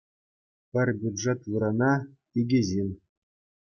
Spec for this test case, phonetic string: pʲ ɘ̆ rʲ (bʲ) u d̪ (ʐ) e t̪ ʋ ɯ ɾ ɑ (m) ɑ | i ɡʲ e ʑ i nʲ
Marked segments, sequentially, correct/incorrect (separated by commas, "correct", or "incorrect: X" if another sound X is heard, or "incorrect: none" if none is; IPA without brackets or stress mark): correct, correct, incorrect: n